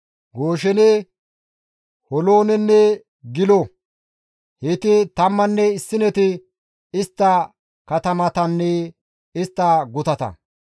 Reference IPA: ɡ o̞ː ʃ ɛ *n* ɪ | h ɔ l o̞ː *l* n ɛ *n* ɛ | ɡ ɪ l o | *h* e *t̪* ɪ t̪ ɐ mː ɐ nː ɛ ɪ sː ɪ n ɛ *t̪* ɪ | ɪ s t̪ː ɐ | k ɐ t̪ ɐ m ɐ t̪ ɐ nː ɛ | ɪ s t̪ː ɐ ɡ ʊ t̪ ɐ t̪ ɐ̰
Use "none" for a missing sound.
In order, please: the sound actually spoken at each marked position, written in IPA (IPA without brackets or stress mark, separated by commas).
n, none, nː, h, t̪, t̪